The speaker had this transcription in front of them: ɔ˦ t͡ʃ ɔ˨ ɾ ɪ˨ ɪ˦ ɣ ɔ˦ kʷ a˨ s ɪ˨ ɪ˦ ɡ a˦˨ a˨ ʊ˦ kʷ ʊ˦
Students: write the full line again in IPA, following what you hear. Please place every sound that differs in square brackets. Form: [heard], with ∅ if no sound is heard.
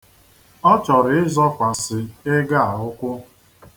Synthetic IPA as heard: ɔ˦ t͡ʃ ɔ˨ ɾ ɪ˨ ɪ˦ [z] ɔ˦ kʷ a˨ s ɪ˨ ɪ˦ ɡ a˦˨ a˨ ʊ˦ kʷ ʊ˦